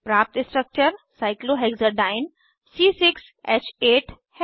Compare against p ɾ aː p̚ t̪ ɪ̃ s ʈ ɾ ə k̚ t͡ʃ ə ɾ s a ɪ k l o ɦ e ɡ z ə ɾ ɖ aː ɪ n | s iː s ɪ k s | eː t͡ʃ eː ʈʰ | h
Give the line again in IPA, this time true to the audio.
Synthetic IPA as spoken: p ɾ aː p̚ t̪ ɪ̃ s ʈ ɾ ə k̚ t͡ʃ ə ɾ s a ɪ k l o ɦ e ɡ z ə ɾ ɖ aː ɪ n | s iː s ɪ k s | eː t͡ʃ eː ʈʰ | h